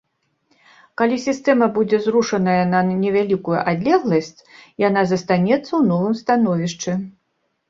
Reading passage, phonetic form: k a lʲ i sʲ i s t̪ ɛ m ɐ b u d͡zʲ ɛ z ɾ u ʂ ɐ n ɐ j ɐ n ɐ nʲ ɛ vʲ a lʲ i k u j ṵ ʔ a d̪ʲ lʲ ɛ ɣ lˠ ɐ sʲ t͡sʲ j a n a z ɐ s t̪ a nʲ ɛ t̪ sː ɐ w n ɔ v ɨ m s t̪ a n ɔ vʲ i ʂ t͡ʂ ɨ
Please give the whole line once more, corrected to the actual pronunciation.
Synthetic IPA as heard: k a lʲ i sʲ i s t̪ ɛ m ɐ b u d͡zʲ ɛ z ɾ u ʂ ɐ n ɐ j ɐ n ɐ nʲ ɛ vʲ a lʲ i k u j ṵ ʔ a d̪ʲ lʲ ɛ ɣ lˠ ɐ sʲ t͡sʲ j a n a z ɐ s t̪ a nʲ ɛ t̪ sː ɐ w n ɔ v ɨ m s t̪ a n ɔ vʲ i ʂ t͡ʂ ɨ